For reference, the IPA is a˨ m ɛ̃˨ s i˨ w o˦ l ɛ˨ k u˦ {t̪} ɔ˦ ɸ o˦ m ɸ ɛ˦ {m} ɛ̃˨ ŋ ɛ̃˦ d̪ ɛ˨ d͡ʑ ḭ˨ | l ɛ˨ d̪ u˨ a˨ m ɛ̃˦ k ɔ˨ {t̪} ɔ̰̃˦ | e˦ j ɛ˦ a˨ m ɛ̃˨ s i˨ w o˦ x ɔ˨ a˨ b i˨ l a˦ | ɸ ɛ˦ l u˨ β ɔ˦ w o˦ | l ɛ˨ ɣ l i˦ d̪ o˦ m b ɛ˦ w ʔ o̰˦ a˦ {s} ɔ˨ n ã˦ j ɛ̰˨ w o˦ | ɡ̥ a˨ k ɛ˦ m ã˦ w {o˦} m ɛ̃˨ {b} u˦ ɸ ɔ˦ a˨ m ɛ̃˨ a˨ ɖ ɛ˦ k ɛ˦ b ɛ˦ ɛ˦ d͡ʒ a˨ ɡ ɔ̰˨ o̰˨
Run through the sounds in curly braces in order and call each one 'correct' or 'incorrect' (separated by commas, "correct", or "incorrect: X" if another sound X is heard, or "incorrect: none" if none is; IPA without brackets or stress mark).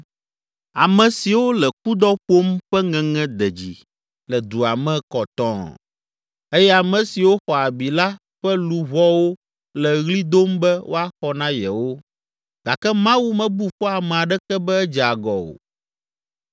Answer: incorrect: d̪, incorrect: ŋ, correct, incorrect: x, incorrect: u˦, correct